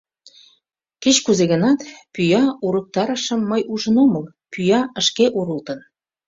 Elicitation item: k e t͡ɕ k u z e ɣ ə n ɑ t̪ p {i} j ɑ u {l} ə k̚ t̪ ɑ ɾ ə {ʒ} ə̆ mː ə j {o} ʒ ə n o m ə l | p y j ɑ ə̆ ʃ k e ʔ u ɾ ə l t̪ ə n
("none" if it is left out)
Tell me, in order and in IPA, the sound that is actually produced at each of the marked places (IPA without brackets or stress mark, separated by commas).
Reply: y, ɾ, ʃ, u